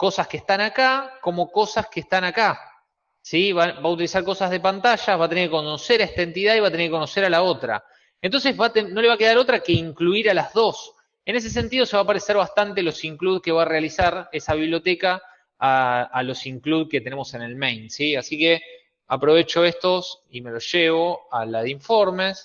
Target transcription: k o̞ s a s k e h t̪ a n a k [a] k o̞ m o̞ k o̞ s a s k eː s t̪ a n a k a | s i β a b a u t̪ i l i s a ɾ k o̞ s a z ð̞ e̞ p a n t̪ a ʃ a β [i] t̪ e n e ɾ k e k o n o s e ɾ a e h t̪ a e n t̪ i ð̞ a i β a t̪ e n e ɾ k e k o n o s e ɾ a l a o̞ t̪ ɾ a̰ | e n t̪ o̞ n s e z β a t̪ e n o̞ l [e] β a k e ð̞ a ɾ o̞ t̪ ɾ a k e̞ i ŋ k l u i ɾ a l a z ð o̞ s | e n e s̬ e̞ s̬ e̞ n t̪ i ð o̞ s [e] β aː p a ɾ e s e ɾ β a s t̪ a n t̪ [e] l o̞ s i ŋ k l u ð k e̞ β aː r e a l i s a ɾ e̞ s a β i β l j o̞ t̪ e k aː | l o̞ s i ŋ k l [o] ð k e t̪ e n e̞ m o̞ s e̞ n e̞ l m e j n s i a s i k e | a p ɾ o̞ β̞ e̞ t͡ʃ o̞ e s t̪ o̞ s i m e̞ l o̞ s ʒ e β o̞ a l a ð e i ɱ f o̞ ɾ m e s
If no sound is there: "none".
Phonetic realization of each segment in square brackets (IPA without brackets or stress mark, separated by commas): a, a, e, e, e, u